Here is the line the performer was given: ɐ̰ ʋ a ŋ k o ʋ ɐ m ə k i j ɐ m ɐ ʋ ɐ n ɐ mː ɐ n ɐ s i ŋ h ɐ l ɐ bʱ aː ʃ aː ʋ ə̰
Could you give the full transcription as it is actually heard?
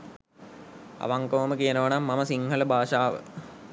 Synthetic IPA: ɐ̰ ʋ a ŋ k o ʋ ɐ m ə k i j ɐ n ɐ ʋ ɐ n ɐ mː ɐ m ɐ s i ŋ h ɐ l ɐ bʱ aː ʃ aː ʋ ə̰

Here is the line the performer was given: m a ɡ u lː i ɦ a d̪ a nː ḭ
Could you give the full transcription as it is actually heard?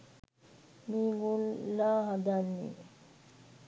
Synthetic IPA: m i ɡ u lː a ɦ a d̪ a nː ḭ

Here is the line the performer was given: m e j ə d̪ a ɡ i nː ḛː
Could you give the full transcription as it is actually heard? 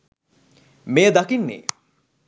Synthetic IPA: m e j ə d̪ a k i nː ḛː

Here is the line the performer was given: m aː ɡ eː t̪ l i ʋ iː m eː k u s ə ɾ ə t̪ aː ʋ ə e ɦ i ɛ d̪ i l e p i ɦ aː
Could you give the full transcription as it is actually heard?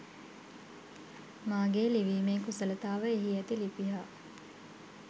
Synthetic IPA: m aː ɡ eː l i ʋ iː m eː k u s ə l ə t̪ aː ʋ ə e ɦ i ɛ t̪ i l i p i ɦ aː

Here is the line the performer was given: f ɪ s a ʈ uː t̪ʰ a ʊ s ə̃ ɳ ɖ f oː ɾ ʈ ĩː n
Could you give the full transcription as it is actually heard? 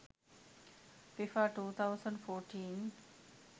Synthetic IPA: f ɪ f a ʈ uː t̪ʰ a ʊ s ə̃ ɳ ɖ f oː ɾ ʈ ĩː n

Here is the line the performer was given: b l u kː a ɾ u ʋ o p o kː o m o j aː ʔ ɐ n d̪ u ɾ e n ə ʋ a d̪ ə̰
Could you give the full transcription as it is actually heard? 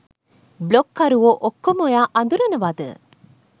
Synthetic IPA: b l o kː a ɾ u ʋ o ʔ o kː o m o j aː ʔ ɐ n d̪ u ɾ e n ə ʋ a d̪ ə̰

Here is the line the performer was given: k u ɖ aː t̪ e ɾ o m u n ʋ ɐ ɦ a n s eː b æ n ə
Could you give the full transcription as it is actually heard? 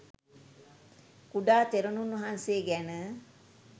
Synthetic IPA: k u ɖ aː t̪ e ɾ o n u n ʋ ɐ ɦ a n s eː ɡ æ n ə

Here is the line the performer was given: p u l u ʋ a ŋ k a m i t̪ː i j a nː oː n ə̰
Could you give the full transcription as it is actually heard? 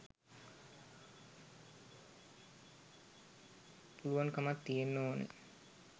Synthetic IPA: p u l u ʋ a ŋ k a m a t̪ː i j e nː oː n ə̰

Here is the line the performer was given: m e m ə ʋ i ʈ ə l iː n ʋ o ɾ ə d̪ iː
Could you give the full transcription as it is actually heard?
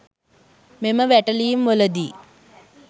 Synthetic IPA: m e m ə ʋ æ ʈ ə l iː m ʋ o l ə d̪ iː

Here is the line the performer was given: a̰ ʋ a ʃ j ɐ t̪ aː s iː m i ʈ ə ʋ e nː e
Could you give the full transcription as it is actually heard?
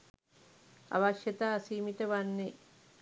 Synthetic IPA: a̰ ʋ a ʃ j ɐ t̪ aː s iː m i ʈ ə ʋ a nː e

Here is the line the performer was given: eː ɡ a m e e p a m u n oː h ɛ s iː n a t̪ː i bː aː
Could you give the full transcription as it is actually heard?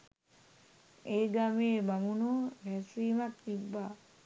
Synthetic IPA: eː ɡ a m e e b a m u n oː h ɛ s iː m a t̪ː i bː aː

